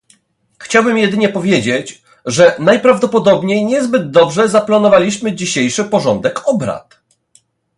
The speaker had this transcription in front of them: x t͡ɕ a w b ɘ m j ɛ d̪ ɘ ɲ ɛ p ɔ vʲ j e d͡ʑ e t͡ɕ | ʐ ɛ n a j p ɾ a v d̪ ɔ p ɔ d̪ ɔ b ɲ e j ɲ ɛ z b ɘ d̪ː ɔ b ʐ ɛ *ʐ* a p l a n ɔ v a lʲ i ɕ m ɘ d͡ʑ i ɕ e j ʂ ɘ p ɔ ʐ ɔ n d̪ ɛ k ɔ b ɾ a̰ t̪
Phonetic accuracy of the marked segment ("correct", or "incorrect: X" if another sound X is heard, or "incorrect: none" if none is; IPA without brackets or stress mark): incorrect: z